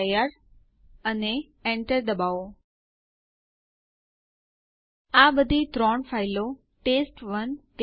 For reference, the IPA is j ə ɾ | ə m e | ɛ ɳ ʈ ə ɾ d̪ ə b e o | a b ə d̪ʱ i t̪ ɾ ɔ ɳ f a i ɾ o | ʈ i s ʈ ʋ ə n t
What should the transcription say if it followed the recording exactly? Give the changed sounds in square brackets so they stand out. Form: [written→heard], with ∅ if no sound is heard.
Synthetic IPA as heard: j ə ɾ | ə [m→n] e | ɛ ɳ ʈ ə ɾ d̪ ə b [e→a] o | a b ə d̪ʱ i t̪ ɾ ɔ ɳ f a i [ɾ→l] o | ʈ [i→e] s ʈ ʋ ə n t